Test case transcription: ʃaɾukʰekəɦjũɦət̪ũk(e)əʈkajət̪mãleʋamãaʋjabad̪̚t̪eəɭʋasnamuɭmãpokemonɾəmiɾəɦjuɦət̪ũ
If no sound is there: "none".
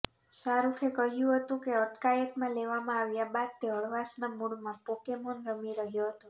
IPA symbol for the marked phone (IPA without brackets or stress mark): e